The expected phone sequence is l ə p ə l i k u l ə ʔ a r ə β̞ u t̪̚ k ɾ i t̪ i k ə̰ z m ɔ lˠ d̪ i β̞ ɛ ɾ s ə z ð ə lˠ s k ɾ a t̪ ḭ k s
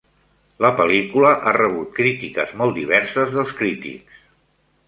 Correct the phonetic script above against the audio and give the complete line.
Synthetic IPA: l ə p ə l i k u l ə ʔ a r ə β̞ u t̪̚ k ɾ i t̪ i k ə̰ z m ɔ lˠ d̪ i β̞ ɛ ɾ s ə z ð ə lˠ s k ɾ i t̪ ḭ k s